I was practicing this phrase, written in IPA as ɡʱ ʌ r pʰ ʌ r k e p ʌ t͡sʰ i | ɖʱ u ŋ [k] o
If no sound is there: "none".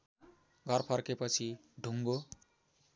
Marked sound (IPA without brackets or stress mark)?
ɡ